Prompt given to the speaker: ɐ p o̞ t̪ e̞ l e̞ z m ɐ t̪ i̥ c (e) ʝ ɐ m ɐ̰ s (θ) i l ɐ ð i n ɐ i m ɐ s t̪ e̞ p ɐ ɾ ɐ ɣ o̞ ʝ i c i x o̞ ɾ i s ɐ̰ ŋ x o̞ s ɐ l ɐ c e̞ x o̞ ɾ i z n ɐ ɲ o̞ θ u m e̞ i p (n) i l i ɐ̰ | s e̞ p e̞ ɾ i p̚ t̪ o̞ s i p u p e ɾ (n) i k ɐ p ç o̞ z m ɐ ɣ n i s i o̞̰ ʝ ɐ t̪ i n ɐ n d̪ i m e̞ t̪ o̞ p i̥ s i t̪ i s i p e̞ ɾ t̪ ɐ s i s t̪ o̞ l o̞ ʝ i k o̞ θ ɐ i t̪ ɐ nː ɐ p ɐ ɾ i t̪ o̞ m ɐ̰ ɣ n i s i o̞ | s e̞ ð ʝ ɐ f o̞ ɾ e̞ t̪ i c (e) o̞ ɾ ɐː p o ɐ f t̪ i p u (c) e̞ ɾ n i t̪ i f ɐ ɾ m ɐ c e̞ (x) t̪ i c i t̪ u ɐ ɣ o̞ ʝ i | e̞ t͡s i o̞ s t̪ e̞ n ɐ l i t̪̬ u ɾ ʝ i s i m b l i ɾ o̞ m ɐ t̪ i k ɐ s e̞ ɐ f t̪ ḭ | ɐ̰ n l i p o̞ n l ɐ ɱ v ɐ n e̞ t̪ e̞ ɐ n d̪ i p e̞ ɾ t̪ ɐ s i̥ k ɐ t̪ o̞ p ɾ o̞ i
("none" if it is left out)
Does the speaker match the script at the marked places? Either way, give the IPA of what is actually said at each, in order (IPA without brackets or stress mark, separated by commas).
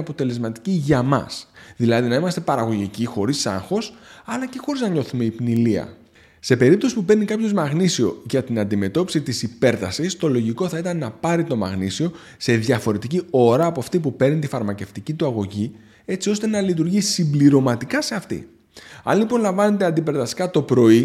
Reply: i, ð, n, n, i, p, f